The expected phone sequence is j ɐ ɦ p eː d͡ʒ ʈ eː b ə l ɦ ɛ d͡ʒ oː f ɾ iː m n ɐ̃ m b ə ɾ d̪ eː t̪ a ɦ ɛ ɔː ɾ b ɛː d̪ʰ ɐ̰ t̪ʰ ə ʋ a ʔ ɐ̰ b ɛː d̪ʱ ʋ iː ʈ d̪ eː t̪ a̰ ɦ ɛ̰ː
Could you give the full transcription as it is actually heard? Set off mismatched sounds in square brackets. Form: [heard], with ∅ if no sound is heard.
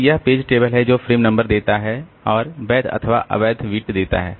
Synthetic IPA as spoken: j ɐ ɦ p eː d͡ʒ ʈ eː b ə l ɦ ɛ d͡ʒ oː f ɾ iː m n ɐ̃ m b ə ɾ d̪ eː t̪ a ɦ ɛ ɔː ɾ b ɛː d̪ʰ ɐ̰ t̪ʰ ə ʋ a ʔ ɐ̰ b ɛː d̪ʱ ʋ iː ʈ d̪ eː t̪ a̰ ɦ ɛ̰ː